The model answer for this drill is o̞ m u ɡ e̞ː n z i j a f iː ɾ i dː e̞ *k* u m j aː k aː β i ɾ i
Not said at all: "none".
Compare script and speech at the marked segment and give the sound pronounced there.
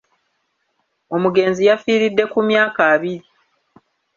k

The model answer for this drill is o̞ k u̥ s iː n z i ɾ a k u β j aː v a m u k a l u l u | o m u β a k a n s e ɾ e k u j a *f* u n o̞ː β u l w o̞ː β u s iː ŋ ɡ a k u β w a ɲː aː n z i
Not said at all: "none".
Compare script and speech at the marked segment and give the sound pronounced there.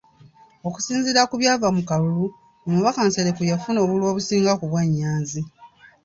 f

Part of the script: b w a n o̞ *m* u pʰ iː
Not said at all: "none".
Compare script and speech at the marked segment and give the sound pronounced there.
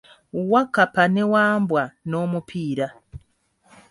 m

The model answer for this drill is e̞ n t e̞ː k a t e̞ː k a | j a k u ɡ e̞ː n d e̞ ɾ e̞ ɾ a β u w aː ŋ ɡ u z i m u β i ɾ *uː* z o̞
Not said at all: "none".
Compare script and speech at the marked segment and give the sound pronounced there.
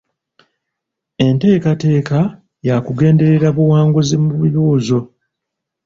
uː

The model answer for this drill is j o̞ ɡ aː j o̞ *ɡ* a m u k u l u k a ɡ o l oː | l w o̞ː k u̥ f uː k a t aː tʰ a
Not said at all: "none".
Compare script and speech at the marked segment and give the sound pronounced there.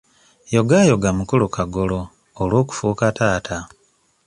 ɡ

